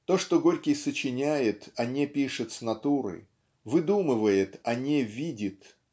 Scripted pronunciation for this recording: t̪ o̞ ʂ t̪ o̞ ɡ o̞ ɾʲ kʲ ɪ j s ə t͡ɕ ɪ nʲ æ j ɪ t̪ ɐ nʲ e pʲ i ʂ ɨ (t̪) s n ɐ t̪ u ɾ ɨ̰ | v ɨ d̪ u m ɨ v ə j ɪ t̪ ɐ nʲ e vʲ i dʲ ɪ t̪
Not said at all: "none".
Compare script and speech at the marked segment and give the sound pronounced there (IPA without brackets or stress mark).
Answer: t̪